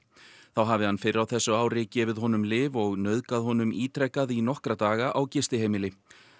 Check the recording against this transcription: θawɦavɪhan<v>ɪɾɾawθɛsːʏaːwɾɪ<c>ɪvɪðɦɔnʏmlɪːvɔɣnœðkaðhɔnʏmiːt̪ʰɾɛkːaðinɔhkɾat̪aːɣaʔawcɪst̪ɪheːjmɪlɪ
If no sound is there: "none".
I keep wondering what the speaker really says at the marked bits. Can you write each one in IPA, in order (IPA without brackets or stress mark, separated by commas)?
f, c